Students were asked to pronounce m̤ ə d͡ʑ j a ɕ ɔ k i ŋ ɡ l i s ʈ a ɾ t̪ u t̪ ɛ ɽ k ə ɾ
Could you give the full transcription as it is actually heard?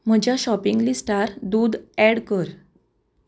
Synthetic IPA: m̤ ə d͡ʑ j a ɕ ɔ p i ŋ ɡ l i s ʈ a ɾ d̪ u d̪ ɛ ɽ k ə ɾ